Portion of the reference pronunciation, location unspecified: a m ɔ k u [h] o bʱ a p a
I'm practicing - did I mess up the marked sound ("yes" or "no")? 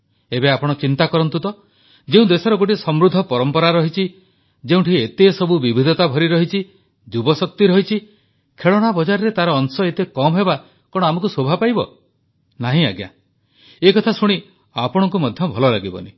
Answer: yes